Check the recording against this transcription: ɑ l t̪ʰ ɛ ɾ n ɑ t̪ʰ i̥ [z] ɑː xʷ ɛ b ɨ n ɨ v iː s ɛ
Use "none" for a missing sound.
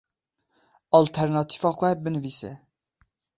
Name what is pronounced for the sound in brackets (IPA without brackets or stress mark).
v